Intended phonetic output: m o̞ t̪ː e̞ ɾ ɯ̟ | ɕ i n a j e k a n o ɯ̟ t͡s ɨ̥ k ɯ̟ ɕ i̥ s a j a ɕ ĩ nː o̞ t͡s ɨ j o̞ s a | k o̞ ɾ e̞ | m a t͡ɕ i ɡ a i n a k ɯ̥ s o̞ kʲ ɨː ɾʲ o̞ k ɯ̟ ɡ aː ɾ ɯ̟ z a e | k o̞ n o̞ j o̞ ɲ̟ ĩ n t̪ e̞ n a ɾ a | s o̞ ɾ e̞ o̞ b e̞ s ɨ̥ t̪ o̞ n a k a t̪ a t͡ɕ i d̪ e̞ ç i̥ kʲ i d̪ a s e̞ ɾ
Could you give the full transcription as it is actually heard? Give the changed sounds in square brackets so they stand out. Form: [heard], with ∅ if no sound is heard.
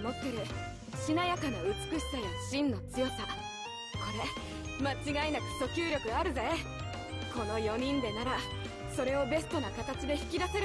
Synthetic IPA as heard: m o̞ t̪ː e̞ ɾ ɯ̟ | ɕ i n a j [a] k a n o ɯ̟ t͡s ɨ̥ k ɯ̟ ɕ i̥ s a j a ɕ ĩ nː o̞ t͡s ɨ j o̞ s a | k o̞ ɾ e̞ | m a t͡ɕ i ɡ a i n a k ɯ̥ s o̞ kʲ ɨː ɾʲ o̞ k ɯ̟ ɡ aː ɾ ɯ̟ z a e | k o̞ n o̞ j o̞ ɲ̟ ĩ n [d̪] e̞ n a ɾ a | s o̞ ɾ e̞ o̞ b e̞ s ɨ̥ t̪ o̞ n a k a t̪ a t͡ɕ i d̪ e̞ ç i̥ kʲ i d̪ a s e̞ ɾ